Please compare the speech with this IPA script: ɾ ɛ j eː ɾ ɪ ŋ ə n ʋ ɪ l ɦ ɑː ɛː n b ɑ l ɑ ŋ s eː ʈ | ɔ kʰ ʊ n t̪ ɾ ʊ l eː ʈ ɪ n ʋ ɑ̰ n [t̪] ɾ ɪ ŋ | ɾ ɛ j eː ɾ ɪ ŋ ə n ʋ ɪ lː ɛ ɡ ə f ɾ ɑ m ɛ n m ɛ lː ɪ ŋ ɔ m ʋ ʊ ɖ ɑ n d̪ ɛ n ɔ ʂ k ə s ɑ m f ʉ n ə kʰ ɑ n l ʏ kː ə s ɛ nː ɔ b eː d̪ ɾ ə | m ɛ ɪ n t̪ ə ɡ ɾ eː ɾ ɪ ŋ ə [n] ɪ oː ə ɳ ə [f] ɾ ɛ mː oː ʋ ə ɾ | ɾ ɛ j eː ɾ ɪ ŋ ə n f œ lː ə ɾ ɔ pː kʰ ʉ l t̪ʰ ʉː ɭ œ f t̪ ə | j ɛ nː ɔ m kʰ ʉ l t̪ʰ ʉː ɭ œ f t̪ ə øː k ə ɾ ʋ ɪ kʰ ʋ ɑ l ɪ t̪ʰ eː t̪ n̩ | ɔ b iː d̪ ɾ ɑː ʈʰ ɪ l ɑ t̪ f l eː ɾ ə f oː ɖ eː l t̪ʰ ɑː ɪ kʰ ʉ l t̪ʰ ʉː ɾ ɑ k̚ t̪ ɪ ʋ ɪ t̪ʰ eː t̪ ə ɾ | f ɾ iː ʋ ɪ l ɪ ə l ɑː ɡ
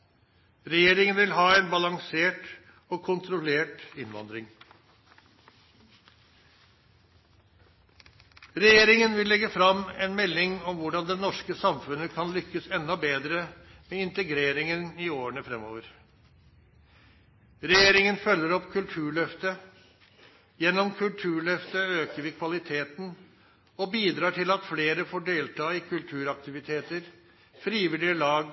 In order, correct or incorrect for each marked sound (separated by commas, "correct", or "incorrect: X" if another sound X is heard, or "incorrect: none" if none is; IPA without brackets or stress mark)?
incorrect: d̪, correct, correct